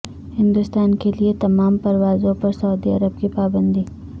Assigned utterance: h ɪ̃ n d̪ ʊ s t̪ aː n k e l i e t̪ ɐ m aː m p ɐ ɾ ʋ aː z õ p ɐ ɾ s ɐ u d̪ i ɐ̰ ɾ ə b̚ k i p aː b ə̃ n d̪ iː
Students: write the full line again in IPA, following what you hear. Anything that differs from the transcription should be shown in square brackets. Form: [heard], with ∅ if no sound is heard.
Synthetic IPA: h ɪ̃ n d̪ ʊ s t̪ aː n k e l i e t̪ ɐ m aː m p ɐ ɾ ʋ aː z õ p ɐ ɾ s ɐ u d̪ i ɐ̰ ɾ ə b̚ k i p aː b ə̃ n d̪ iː